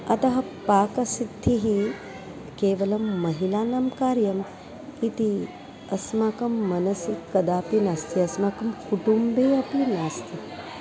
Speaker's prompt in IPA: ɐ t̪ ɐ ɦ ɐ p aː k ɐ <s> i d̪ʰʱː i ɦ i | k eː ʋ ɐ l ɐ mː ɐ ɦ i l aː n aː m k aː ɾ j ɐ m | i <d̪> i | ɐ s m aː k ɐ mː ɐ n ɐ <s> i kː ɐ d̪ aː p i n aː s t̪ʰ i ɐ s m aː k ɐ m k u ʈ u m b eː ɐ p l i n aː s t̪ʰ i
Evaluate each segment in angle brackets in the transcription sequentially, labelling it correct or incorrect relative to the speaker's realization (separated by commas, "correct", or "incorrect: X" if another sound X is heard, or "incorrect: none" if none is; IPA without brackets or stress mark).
correct, incorrect: t̪, correct